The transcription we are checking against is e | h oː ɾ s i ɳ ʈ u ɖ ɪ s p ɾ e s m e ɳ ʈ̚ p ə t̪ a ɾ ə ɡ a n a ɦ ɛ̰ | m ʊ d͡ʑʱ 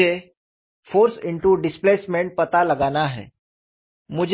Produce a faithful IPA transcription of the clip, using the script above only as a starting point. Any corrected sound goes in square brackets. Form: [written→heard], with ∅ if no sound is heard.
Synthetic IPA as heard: e | [h→f] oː ɾ s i ɳ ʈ u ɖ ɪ s p [ɾ→l] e s m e ɳ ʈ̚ p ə t̪ a [ɾ→l] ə ɡ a n a ɦ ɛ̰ | m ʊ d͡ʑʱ

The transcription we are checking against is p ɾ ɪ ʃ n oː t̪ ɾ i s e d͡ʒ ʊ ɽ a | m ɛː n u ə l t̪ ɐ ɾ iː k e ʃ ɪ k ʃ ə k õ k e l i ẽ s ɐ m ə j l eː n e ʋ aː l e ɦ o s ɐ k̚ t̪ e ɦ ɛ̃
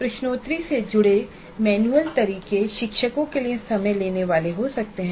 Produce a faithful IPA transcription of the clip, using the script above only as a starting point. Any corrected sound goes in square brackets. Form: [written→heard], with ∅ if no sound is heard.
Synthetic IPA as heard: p ɾ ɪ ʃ n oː t̪ ɾ i s e d͡ʒ ʊ ɽ [a→e] | m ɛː n u ə l t̪ ɐ ɾ iː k e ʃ ɪ k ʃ ə k õ k e l i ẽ s ɐ m ə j l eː n e ʋ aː l e ɦ o s ɐ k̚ t̪ e ɦ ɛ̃

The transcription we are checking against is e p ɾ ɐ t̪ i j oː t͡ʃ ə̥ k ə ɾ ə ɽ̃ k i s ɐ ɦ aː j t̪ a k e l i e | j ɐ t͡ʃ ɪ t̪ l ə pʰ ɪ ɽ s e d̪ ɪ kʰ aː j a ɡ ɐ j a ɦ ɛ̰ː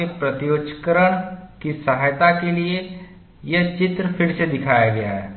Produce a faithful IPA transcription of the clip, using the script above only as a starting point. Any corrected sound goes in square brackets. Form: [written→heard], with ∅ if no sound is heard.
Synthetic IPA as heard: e p ɾ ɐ t̪ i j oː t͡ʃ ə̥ k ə ɾ ə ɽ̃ k i s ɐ ɦ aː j t̪ a k e l i e | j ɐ t͡ʃ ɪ t̪ [l→ɾ] ə pʰ ɪ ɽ s e d̪ ɪ kʰ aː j a ɡ ɐ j a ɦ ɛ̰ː

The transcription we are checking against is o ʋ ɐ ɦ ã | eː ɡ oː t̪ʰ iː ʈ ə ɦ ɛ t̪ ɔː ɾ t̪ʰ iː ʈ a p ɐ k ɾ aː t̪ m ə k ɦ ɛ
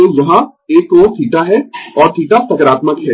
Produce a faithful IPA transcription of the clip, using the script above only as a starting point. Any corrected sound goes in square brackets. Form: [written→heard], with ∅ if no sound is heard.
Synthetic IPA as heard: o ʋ ɐ ɦ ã | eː [ɡ→k] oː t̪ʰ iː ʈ [ə→a] ɦ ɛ [t̪→∅] ɔː ɾ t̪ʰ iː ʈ a p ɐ k ɾ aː t̪ m ə k ɦ ɛ

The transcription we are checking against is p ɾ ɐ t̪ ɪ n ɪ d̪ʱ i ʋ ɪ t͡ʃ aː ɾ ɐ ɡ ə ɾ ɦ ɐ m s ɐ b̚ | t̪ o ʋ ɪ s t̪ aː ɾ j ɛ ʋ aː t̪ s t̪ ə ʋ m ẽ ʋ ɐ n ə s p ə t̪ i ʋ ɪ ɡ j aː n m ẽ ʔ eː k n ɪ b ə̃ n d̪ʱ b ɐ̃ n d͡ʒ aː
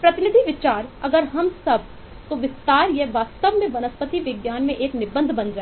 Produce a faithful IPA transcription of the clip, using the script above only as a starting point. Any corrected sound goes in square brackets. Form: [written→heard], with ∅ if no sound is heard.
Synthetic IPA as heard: p ɾ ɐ t̪ ɪ n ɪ d̪ʱ i ʋ ɪ t͡ʃ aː ɾ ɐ ɡ ə ɾ ɦ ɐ m s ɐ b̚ | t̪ o ʋ ɪ s t̪ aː ɾ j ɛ ʋ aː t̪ s t̪ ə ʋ m ẽ ʋ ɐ n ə s p ə t̪ i ʋ ɪ ɡ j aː n m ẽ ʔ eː k n ɪ b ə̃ n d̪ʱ b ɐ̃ n d͡ʒ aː

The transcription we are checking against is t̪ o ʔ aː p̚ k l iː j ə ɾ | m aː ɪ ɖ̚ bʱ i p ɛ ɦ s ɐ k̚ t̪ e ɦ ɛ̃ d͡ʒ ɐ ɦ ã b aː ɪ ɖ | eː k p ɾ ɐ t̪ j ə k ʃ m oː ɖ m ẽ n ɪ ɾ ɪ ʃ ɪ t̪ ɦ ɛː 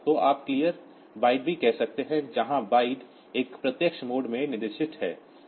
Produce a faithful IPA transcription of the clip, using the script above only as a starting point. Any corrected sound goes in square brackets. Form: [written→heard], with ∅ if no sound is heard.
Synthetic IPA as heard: t̪ o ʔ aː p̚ k l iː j ə ɾ | [m→b] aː ɪ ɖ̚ bʱ i [p→k] ɛ ɦ s ɐ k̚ t̪ e ɦ ɛ̃ d͡ʒ ɐ ɦ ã b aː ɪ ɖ | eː k p ɾ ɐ t̪ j ə k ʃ m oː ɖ m ẽ n ɪ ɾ ɪ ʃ ɪ t̪ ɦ ɛː

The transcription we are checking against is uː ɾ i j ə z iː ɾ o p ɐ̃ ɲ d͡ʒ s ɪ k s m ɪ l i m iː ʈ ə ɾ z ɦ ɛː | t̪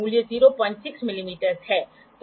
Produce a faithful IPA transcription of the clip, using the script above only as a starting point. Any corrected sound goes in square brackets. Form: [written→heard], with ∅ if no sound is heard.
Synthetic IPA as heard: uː [ɾ→l] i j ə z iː ɾ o p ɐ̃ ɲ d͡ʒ s ɪ k s m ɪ l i m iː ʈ ə ɾ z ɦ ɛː | t̪

